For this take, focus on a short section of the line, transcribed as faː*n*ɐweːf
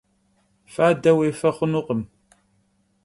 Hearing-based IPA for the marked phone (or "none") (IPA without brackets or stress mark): d